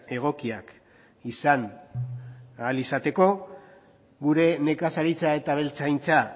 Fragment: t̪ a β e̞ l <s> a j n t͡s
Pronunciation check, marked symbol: incorrect: t͡s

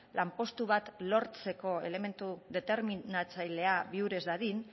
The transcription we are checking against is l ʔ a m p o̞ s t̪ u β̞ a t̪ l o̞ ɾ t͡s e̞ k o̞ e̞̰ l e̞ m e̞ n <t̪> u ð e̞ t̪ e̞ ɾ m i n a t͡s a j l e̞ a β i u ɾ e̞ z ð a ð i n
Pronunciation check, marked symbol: correct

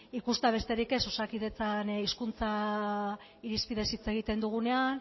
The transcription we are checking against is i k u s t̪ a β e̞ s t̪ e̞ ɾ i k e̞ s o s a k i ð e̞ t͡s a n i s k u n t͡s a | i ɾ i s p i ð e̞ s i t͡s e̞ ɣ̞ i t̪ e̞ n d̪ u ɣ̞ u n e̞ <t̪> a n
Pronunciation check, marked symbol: incorrect: none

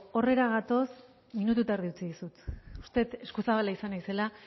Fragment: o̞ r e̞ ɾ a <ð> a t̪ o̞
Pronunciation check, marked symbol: incorrect: ɣ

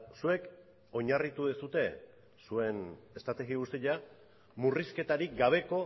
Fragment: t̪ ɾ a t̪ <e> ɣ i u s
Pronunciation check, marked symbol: correct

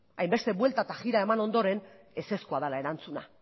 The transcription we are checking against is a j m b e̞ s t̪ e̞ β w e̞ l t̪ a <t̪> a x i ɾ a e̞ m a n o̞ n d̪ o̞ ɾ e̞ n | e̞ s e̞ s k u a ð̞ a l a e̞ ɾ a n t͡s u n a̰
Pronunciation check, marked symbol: correct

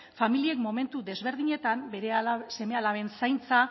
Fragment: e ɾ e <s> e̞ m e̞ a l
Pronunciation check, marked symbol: correct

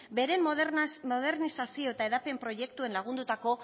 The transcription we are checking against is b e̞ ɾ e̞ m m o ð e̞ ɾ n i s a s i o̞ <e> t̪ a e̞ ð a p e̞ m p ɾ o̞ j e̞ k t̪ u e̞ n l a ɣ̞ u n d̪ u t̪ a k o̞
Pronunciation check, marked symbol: correct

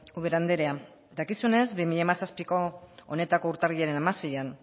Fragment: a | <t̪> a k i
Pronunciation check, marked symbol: incorrect: d̪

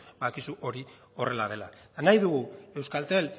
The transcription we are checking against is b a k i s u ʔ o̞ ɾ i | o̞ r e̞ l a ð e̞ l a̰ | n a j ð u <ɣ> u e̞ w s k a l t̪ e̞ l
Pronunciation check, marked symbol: correct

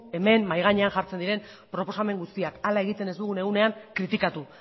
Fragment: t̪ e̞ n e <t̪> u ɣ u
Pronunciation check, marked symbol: incorrect: d̪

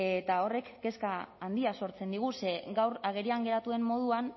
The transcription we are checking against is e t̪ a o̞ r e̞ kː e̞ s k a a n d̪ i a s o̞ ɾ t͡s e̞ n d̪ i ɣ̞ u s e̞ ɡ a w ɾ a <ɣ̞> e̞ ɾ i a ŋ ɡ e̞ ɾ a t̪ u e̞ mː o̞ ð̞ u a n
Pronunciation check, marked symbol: correct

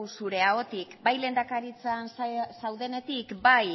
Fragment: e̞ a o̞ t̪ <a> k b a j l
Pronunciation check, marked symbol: incorrect: i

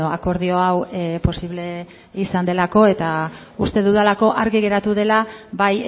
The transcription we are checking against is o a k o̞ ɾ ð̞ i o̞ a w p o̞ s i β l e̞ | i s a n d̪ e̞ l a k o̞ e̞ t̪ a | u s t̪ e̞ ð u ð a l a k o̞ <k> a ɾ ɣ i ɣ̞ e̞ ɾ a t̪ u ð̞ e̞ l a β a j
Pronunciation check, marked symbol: incorrect: ʔ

